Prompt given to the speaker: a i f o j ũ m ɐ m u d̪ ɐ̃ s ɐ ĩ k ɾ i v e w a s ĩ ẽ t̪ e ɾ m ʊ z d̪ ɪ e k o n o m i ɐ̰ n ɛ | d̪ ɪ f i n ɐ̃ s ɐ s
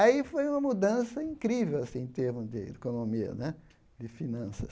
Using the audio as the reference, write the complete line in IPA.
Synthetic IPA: a i f o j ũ m ɐ m u d̪ ɐ̃ s ɐ ĩ k ɾ i v e w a s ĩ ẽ t̪ e ɾ m ʊ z d̪ ɪ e k o n o m i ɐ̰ n ɛ | d̪ ɪ f i n ɐ̃ s ɐ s